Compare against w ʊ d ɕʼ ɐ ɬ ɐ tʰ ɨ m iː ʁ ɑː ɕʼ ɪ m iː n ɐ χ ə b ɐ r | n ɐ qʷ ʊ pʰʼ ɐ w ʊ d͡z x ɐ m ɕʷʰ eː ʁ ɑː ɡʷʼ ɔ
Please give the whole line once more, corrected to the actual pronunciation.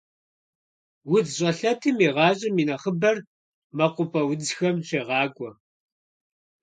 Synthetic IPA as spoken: w ʊ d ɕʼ ɐ ɬ ɐ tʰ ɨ m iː ʁ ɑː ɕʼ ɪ m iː n ɐ χ ə b ɐ r | m ɐ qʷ ʊ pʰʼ ɐ w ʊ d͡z x ɐ m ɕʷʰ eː ʁ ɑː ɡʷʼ ɔ

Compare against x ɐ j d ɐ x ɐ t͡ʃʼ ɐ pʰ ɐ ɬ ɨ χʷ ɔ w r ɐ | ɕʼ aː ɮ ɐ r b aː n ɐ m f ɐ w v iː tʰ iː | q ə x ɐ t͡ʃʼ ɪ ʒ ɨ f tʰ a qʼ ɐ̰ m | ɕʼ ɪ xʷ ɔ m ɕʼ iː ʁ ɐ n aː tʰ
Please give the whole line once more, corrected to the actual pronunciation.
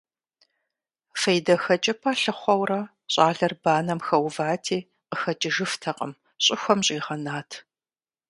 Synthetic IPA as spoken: f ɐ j d ɐ x ɐ t͡ʃʼ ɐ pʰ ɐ ɬ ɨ χʷ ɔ w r ɐ | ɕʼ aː ɮ ɐ r b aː n ɐ m x ɐ w v aː tʰ iː | q ə x ɐ t͡ʃʼ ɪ ʒ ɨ f tʰ ɐ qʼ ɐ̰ m | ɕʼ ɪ xʷ ɔ m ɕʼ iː ʁ ɐ n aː tʰ

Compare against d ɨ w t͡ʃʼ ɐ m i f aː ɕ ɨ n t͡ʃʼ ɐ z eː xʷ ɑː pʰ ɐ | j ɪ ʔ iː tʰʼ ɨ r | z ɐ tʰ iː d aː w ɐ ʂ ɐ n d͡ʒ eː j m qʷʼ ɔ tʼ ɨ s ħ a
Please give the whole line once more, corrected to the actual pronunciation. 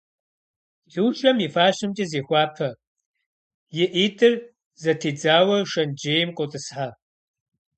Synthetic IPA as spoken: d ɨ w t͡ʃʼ ɐ m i f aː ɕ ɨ m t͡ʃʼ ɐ z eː xʷ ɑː pʰ ɐ | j ɪ ʔ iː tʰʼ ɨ r | z ɐ tʰ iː d͡z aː w ɐ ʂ ɐ n d͡ʒ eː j m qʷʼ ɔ tʼ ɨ s ħ a

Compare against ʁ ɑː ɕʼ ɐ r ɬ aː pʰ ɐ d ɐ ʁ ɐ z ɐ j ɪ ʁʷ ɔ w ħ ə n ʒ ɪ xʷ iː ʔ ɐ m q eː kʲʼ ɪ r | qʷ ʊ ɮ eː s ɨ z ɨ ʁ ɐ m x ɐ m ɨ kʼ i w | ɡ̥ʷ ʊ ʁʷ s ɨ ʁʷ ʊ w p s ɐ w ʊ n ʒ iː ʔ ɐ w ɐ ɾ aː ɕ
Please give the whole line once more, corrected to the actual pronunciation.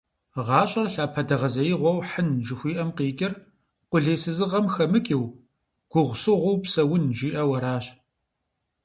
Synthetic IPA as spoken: ʁ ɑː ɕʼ ɐ r ɬ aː pʰ ɐ d ɐ ʁ ɐ z ɐ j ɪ ʁʷ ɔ w ħ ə n ʒ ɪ xʷ iː ʔ ɐ m q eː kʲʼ ɪ r | qʷ ʊ ɮ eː s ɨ z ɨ ʁ ɐ m x ɐ m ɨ kʼ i w | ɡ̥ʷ ʊ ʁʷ s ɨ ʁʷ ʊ w p s ɐ w ʊ n ʒ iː ʔ ɐ w ɐ ɾ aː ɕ

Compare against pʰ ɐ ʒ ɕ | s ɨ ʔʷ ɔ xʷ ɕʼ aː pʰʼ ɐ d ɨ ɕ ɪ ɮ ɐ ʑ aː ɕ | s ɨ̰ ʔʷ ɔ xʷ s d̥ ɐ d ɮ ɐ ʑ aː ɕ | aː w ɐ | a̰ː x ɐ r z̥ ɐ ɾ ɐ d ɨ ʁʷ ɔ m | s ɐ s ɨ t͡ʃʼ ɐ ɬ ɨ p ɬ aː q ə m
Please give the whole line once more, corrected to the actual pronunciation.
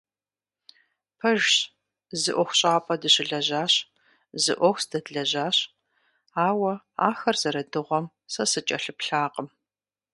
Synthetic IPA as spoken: pʰ ɐ ʒ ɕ | z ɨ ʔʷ ɔ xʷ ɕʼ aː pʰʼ ɐ d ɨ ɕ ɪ ɮ ɐ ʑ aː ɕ | z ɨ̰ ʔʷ ɔ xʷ s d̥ ɐ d ɮ ɐ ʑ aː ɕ | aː w ɐ | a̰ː x ɐ r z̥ ɐ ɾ ɐ d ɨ ʁʷ ɔ m | s ɐ s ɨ t͡ʃʼ ɐ ɬ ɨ p ɬ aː q ə m

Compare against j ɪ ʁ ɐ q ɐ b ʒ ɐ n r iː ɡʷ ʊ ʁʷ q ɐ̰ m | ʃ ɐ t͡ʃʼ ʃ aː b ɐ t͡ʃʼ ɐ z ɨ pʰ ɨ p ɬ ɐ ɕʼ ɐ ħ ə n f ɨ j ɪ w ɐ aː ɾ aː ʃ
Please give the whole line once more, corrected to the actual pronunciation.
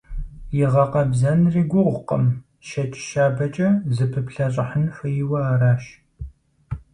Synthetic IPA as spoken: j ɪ ʁ ɐ q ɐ b z ɐ n r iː ɡʷ ʊ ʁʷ q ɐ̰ m | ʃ ɐ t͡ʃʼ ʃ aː b ɐ t͡ʃʼ ɐ z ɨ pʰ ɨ p ɬ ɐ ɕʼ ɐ ħ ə n f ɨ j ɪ w ɐ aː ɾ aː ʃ

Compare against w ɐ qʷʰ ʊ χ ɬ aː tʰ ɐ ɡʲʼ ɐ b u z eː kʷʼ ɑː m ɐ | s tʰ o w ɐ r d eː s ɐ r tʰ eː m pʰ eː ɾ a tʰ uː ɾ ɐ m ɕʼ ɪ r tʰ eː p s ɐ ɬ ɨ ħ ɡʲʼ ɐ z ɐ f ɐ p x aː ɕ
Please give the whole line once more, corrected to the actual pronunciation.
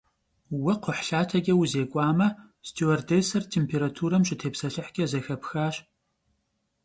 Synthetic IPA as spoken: w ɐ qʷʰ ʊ ħ ɬ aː tʰ ɐ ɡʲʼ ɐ w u z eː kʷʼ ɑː m ɐ | s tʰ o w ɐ r d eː s ɐ r tʰ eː m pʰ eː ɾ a tʰ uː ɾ ɐ m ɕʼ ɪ tʰ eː p s ɐ ɬ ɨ ħ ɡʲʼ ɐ z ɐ x ɐ p x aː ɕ

